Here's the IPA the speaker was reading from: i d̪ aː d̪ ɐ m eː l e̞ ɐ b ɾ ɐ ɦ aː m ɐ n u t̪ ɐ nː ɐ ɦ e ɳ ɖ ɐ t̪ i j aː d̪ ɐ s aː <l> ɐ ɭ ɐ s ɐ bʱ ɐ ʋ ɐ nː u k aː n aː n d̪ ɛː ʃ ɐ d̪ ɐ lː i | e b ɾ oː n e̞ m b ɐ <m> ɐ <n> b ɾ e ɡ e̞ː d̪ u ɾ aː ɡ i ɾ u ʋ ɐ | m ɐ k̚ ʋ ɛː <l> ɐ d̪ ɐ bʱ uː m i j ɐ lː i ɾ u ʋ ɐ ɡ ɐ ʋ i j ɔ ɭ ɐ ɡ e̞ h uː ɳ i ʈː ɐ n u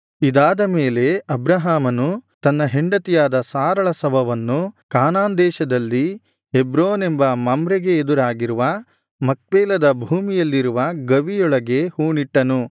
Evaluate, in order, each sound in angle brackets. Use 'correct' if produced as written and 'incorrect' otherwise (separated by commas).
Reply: incorrect, correct, incorrect, correct